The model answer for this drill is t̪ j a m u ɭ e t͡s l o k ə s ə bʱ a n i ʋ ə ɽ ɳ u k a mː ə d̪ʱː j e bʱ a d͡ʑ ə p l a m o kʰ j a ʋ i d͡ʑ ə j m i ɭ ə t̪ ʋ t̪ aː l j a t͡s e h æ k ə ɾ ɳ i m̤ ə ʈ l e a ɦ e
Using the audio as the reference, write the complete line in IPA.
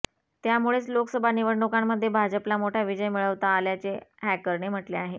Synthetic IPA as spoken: t̪ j a m u ɭ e t͡s l o k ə s ə bʱ a n i ʋ ə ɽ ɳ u k a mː ə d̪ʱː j e bʱ a d͡ʑ ə p l a m o ʈʰ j a ʋ i d͡ʑ ə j m i ɭ ə ʋ t̪ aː l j a t͡s e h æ k ə ɾ ɳ e m̤ ə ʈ l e a ɦ e